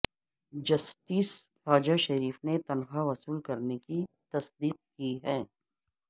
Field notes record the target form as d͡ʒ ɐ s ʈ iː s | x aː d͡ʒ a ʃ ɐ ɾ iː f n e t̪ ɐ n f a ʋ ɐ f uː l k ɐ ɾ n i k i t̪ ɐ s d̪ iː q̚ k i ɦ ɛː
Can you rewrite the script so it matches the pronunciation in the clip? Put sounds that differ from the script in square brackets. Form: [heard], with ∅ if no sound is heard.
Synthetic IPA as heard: d͡ʒ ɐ s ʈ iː s | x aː d͡ʒ a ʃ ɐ ɾ iː f n e t̪ ɐ n [x] a ʋ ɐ [s] uː l k ɐ ɾ n [e] k i t̪ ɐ s d̪ iː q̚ k i ɦ ɛː